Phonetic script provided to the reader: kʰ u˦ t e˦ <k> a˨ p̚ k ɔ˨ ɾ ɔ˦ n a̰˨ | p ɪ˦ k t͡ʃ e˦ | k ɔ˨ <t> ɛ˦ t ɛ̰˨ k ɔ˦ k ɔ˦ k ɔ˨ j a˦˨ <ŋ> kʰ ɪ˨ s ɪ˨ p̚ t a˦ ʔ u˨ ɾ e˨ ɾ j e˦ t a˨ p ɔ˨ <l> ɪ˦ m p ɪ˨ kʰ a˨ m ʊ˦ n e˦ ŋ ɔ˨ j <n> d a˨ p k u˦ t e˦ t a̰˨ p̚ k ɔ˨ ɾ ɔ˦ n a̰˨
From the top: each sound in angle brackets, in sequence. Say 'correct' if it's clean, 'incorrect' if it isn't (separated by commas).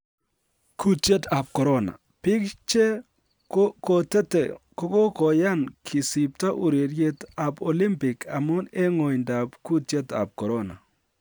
incorrect, correct, incorrect, correct, correct